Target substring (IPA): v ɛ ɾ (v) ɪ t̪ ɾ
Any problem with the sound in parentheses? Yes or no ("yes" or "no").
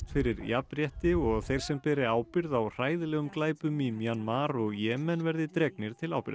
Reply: yes